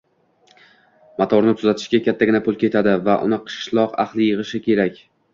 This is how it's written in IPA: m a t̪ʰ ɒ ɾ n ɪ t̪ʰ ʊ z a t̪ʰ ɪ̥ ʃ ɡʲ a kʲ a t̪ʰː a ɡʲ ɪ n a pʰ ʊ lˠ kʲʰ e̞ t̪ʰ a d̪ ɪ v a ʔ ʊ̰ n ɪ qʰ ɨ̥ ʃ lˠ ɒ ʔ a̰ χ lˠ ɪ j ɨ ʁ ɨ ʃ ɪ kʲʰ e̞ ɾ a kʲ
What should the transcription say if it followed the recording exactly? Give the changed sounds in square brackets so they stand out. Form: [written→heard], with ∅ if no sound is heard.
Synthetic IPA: m a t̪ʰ ɒ ɾ n ɪ t̪ʰ ʊ z a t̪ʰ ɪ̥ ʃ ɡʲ a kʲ a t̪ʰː a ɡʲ ɪ n a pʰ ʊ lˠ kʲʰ e̞ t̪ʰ a d̪ ɪ v a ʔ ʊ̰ n ɪ qʰ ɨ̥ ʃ lˠ ɒ [ʔ→q] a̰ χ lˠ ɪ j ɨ ʁ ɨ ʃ ɪ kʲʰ e̞ ɾ a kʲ